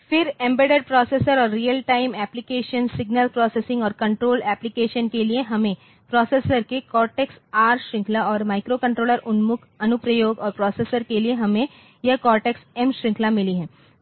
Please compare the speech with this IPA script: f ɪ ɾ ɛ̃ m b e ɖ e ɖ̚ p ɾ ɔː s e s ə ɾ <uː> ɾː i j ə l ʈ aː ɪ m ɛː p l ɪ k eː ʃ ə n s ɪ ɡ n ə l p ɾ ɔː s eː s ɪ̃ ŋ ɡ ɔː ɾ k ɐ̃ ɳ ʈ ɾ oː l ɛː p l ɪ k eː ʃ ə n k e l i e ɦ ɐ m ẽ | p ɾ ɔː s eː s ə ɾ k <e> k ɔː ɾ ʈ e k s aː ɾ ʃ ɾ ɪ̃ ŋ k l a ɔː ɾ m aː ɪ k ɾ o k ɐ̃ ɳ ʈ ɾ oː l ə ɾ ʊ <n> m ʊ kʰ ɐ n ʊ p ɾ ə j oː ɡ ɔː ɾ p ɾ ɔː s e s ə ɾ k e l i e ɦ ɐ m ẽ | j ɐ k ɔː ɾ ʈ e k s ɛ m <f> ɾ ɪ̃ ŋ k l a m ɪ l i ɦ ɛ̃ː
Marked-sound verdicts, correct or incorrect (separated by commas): incorrect, correct, correct, incorrect